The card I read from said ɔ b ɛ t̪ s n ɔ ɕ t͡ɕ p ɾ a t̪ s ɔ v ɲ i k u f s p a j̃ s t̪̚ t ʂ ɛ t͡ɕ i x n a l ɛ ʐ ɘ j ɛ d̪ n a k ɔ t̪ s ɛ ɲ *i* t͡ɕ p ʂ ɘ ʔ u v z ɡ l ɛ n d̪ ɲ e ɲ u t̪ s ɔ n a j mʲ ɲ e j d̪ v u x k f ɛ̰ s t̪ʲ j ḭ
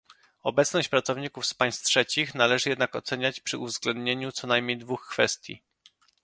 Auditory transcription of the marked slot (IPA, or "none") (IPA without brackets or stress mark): a